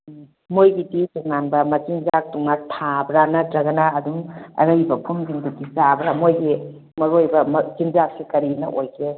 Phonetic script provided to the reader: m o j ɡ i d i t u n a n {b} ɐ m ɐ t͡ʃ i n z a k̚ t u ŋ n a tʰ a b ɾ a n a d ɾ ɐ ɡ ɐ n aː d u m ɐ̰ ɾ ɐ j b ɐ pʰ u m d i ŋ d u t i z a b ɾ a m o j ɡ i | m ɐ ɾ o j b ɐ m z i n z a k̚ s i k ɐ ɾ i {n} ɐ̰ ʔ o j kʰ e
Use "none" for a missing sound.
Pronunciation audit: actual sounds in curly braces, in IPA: b, n

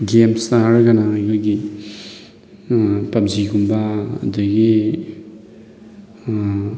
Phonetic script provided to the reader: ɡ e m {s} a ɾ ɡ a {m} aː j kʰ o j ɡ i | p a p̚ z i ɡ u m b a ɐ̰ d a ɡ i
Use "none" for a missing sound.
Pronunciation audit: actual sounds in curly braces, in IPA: s, n

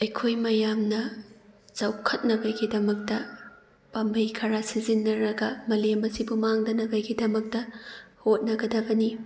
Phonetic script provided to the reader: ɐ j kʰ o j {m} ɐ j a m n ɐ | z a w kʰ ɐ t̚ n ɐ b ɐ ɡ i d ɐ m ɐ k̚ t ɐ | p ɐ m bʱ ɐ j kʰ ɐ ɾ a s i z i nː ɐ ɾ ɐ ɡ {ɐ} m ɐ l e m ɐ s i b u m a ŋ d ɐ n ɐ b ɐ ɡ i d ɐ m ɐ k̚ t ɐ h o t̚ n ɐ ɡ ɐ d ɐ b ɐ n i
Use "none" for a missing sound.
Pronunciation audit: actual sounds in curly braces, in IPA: m, ɐ

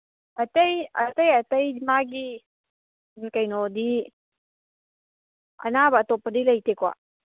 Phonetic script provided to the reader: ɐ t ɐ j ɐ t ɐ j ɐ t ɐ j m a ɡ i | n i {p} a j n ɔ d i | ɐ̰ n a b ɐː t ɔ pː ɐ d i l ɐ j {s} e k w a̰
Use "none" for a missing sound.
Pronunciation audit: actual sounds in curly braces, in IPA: k, t

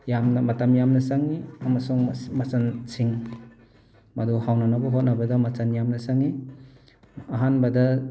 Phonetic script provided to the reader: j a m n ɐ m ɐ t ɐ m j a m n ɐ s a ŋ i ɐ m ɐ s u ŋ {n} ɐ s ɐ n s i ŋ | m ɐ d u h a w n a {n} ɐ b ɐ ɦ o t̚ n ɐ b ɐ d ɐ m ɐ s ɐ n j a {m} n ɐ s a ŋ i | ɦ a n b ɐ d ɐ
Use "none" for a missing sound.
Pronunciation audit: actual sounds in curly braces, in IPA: m, n, m

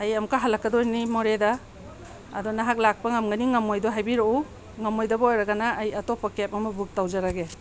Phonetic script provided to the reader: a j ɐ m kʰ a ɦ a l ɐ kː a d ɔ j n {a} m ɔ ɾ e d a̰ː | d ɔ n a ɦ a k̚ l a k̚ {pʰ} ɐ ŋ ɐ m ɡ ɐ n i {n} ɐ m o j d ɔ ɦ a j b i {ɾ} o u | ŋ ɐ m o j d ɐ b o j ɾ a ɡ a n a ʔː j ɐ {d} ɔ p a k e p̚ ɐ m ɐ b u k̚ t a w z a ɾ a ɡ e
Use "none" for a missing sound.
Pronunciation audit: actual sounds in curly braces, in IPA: i, p, ŋ, ɾ, t

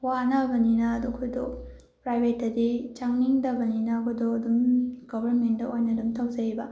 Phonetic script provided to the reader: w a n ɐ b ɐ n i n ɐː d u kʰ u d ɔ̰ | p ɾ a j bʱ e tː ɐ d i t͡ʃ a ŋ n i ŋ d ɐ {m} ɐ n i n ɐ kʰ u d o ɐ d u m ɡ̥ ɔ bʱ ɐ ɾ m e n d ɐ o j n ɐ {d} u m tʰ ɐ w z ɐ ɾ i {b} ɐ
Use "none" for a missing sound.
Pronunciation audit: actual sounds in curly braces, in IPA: b, d, b

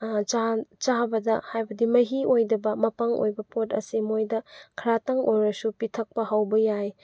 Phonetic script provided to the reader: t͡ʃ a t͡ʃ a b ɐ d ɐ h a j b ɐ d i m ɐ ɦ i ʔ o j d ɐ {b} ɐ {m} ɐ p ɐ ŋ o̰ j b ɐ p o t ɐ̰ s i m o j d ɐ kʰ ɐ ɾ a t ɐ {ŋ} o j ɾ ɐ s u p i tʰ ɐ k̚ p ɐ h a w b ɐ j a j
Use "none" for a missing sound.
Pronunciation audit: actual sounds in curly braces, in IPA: b, m, ŋ

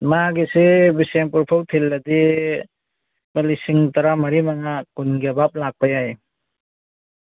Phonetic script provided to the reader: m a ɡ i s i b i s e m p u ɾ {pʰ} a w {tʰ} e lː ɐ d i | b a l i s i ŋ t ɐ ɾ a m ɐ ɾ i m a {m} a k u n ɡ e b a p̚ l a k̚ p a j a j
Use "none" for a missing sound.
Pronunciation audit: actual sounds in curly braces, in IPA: pʰ, tʰ, ŋ

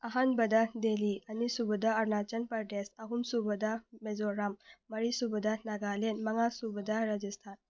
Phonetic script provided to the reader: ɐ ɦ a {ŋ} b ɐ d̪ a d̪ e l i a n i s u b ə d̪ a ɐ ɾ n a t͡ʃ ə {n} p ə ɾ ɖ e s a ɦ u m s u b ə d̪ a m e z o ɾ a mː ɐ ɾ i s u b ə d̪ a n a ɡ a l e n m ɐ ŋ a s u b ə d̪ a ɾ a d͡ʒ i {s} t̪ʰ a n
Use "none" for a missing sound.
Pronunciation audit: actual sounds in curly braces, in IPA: n, n, s

